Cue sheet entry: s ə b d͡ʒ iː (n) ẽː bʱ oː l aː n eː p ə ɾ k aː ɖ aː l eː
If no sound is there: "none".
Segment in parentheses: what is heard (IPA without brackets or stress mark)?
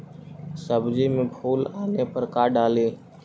m